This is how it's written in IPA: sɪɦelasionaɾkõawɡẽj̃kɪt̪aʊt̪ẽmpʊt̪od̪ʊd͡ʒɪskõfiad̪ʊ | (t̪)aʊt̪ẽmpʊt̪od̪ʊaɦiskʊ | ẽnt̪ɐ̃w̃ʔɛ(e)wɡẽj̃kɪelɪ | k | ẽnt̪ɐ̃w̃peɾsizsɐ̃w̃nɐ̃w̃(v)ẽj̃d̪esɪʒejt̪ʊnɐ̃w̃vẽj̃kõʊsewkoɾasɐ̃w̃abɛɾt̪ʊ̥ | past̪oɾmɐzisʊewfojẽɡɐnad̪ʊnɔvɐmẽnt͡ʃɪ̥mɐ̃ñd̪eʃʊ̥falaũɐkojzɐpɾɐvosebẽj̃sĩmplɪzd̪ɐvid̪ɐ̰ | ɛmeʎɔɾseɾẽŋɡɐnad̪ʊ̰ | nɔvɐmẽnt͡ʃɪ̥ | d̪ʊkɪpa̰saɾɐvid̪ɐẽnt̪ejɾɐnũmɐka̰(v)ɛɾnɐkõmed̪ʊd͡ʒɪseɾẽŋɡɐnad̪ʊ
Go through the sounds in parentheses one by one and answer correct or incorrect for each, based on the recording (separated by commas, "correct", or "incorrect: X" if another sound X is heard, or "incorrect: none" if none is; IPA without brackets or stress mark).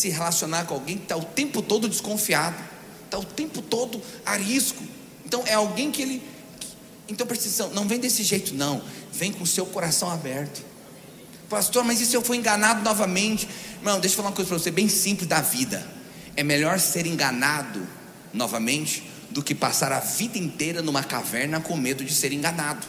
correct, incorrect: a, correct, correct